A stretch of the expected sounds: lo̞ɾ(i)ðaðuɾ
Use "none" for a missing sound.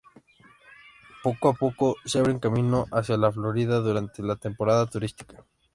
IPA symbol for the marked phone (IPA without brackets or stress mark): i